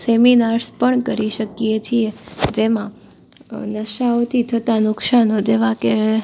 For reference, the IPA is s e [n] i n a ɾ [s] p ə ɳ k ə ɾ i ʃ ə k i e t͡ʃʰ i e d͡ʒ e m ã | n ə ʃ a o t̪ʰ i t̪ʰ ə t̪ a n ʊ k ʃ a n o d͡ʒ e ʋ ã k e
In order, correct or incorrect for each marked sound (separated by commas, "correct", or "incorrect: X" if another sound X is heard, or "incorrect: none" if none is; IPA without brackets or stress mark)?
incorrect: m, correct